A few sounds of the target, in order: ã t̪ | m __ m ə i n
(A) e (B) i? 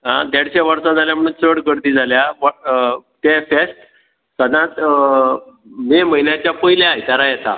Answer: A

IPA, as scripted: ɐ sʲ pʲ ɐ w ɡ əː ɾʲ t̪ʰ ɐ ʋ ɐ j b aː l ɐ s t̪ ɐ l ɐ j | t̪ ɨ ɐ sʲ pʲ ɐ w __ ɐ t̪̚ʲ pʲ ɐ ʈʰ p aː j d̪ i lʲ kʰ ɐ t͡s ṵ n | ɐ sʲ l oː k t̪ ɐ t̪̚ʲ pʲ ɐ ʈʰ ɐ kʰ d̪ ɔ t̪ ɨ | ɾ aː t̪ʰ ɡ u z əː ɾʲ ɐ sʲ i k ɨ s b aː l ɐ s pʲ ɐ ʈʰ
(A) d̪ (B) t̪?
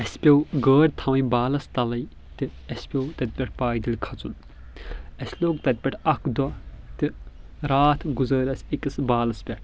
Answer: B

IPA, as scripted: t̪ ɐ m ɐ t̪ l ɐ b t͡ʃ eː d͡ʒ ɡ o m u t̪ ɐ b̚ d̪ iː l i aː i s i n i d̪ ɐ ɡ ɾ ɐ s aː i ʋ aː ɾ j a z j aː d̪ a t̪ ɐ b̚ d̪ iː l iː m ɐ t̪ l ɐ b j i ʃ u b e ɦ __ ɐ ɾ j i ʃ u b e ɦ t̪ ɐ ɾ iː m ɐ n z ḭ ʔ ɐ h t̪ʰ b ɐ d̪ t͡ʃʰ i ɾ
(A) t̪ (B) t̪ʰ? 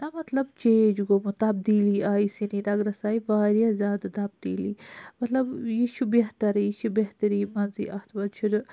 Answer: A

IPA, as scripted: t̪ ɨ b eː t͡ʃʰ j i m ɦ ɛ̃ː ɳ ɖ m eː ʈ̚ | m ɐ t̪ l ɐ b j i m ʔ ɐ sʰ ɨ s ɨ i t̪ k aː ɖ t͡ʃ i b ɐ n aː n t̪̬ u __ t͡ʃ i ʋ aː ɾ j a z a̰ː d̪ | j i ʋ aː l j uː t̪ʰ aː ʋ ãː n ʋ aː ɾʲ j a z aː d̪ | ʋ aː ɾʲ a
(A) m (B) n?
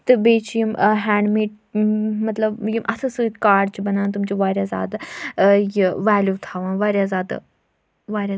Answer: A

